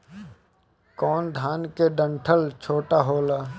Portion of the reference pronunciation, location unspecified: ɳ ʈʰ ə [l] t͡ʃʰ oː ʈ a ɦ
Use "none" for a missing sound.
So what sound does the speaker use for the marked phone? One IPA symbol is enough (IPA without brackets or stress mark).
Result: l